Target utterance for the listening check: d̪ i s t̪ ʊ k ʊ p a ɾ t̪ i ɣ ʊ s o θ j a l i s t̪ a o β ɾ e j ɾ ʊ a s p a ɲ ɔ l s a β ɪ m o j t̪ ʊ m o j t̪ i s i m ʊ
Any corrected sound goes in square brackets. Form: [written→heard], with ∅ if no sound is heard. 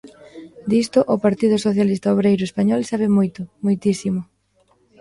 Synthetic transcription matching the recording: d̪ i s t̪ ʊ [k→ʔ] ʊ p a ɾ t̪ i [ɣ→ð] ʊ s o θ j a l i s t̪ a o β ɾ e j ɾ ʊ [a→e] s p a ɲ ɔ l s a β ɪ m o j t̪ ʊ m o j t̪ i s i m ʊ